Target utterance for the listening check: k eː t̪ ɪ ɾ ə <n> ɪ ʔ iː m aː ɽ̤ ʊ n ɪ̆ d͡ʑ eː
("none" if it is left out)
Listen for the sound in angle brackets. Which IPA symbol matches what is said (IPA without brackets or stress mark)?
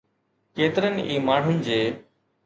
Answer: n